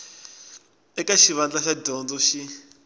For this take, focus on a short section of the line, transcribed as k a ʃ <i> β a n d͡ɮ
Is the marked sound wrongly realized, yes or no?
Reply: no